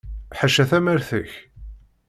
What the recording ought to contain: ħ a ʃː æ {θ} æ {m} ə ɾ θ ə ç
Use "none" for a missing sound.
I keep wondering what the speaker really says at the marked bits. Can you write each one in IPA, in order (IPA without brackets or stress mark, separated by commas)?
θ, m